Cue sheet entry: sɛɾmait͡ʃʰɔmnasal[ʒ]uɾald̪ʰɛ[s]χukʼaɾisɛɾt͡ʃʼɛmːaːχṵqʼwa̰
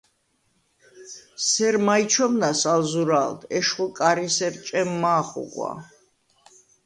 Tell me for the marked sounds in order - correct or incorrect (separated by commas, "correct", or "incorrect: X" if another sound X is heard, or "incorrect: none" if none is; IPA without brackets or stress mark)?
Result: incorrect: z, incorrect: ʃ